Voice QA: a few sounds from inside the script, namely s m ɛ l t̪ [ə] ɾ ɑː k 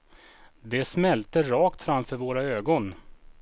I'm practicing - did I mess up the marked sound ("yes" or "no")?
no